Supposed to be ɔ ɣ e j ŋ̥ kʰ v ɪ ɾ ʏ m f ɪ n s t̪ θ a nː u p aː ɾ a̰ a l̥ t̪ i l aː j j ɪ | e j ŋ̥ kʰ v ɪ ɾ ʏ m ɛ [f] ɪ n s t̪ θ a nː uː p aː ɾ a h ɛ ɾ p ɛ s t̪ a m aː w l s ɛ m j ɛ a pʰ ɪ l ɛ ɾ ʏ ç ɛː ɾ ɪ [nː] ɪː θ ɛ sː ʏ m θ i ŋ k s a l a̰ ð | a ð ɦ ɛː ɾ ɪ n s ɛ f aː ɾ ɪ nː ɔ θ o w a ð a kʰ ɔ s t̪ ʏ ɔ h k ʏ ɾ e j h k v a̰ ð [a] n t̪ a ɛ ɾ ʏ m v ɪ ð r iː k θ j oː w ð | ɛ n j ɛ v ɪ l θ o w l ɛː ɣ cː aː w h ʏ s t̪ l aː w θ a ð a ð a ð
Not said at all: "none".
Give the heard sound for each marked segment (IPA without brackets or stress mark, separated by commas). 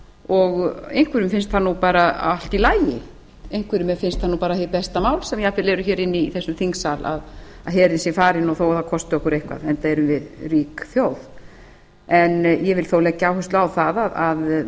f, nː, ɛ